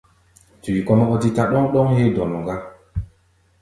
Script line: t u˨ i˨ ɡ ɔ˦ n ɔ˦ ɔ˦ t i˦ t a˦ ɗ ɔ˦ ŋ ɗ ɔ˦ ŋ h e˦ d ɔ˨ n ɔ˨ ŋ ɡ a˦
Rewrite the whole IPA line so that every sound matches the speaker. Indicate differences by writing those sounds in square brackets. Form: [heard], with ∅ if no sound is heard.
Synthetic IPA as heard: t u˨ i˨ [k] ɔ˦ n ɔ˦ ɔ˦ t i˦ t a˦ ɗ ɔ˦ ŋ ɗ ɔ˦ ŋ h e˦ d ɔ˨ n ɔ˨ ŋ ɡ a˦